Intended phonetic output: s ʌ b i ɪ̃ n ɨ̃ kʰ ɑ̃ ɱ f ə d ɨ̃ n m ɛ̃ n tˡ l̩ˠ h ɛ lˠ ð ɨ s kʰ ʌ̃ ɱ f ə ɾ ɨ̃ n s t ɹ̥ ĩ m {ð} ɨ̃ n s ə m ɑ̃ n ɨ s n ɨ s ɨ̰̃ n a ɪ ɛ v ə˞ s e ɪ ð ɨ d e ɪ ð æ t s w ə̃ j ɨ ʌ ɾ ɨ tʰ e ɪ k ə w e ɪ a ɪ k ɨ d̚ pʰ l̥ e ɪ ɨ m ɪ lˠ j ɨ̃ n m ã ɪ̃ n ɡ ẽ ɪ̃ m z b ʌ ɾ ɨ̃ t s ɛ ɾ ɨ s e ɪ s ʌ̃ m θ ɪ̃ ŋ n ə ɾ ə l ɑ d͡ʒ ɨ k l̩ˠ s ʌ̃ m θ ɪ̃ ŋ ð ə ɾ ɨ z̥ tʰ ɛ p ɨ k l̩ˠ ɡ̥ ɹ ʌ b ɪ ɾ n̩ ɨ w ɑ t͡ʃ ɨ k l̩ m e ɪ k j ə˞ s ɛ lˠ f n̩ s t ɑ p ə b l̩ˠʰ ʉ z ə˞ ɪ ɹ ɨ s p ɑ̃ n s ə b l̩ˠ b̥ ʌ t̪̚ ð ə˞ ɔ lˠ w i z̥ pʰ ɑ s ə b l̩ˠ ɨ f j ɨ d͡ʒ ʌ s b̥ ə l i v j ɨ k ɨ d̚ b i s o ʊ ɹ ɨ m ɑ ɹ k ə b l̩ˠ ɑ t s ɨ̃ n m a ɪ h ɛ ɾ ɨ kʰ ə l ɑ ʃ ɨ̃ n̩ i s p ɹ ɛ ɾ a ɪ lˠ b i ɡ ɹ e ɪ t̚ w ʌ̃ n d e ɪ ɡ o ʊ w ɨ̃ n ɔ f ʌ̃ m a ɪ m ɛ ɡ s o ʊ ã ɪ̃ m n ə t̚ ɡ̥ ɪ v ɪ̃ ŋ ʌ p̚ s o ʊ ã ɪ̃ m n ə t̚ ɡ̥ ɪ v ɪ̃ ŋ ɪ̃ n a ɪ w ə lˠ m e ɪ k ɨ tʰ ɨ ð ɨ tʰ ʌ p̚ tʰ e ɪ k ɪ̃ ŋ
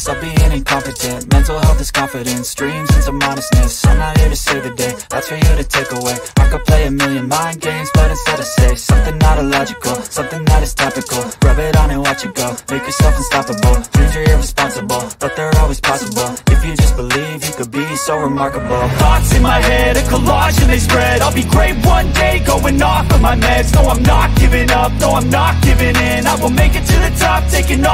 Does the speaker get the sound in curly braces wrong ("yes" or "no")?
yes